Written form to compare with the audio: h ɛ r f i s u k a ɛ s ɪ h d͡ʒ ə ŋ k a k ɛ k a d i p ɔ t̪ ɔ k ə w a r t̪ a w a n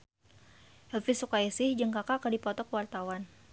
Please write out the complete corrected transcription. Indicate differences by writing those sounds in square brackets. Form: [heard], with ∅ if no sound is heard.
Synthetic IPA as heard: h ɛ [l] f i s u k a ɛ s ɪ h d͡ʒ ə ŋ k a k [a] k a d i p ɔ t̪ ɔ k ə w a r t̪ a w a n